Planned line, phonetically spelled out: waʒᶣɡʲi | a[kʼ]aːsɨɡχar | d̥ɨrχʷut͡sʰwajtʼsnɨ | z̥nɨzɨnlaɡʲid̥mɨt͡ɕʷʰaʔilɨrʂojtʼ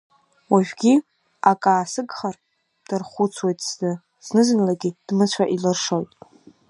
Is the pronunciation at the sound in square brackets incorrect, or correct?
correct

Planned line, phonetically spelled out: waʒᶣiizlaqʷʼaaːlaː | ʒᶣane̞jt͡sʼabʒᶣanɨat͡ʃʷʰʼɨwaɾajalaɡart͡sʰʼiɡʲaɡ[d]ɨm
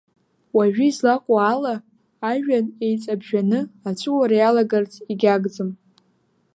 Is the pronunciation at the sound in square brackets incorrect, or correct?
incorrect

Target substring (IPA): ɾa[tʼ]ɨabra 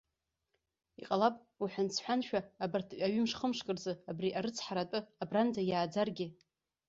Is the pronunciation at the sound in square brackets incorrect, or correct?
correct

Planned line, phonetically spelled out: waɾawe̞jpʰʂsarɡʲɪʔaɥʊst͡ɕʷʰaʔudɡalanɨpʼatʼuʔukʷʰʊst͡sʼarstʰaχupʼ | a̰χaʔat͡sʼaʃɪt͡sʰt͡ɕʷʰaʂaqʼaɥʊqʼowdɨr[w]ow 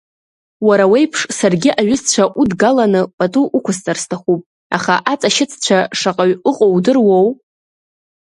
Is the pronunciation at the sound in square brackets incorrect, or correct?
correct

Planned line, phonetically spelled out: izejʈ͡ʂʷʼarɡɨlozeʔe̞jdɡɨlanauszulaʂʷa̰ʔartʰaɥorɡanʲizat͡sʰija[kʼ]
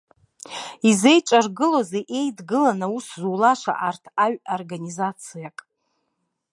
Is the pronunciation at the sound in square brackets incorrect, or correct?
correct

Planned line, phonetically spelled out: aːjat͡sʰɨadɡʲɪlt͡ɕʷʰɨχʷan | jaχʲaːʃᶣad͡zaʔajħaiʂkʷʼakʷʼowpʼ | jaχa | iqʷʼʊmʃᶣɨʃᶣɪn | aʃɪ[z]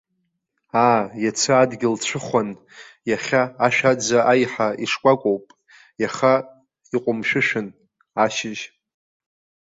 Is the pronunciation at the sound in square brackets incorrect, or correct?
incorrect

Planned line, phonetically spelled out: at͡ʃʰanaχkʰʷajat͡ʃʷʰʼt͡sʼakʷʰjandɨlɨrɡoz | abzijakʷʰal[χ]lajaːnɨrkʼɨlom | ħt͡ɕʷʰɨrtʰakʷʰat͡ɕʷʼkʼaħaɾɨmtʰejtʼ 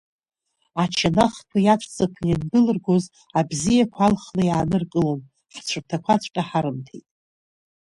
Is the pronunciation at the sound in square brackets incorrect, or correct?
correct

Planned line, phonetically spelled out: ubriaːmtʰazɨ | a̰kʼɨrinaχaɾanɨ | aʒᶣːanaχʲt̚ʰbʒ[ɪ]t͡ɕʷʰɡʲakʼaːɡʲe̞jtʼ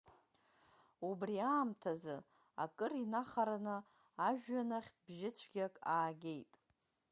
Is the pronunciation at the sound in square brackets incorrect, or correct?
correct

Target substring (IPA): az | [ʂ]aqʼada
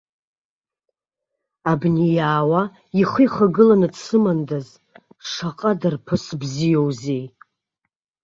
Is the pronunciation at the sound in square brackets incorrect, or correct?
correct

